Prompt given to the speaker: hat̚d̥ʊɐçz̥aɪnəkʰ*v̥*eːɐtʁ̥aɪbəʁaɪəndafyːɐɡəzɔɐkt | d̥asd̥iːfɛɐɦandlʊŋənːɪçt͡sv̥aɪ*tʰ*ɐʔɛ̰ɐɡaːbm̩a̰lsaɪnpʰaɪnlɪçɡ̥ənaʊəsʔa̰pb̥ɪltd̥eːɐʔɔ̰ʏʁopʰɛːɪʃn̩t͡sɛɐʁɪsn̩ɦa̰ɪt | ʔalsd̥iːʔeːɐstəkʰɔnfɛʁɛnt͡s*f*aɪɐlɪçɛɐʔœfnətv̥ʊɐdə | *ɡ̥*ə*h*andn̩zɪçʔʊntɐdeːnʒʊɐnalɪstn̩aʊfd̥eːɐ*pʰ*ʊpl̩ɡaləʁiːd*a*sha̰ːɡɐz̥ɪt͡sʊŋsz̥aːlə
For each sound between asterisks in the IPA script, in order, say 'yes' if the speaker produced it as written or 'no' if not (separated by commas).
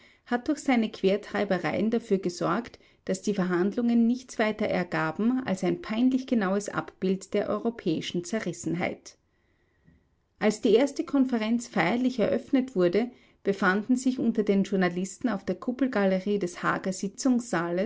yes, no, yes, no, no, no, no